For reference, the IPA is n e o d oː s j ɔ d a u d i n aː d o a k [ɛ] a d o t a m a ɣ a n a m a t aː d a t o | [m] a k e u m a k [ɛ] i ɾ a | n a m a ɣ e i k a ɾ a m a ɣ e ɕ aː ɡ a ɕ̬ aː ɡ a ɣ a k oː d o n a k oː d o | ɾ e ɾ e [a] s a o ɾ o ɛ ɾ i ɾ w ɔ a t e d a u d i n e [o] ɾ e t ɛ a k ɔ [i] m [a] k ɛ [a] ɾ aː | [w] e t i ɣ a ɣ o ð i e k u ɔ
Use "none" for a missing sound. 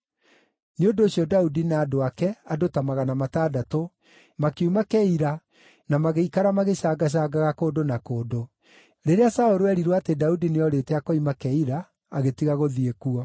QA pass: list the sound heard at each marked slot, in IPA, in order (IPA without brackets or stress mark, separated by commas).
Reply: ɛ, m, ɛ, a, ɔ, i, a, i, ɣ